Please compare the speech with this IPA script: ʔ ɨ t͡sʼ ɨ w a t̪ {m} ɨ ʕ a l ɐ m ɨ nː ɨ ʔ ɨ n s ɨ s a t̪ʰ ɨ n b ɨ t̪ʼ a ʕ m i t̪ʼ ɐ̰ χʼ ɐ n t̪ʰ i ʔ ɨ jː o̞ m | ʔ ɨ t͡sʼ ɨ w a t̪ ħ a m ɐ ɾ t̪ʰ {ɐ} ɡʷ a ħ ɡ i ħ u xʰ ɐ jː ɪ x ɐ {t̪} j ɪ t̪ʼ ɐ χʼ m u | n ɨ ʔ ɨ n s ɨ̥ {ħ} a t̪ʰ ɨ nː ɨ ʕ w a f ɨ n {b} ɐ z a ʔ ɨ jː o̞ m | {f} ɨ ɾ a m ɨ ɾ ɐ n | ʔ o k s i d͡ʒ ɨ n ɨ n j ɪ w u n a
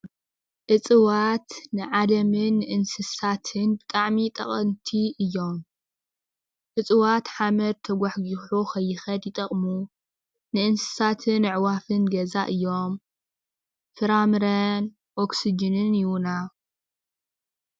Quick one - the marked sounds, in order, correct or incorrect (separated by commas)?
incorrect, correct, incorrect, incorrect, incorrect, correct